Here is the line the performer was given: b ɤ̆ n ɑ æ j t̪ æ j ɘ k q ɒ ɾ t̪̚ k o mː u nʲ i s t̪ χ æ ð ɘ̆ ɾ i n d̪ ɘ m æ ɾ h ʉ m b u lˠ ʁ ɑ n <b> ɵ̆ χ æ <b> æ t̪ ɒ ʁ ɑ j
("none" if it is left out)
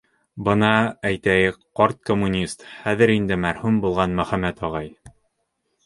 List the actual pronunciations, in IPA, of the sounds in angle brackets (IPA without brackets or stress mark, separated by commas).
m, m